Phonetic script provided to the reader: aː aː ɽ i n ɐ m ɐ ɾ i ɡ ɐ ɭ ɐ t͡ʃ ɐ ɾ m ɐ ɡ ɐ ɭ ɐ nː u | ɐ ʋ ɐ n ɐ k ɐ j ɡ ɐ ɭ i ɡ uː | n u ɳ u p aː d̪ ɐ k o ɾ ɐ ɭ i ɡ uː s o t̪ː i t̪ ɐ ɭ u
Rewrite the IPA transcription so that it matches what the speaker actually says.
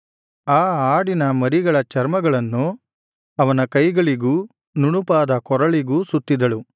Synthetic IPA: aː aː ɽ i n ɐ m ɐ ɾ i ɡ ɐ ɭ ɐ t͡ʃ ɐ ɾ m ɐ ɡ ɐ ɭ ɐ nː u | ɐ ʋ ɐ n ɐ k ɐ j ɡ ɐ ɭ i ɡ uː | n u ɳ u p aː d̪ ɐ k ɔ ɾ ɐ ɭ i ɡ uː s u t̪ː i d̪ ɐ ɭ u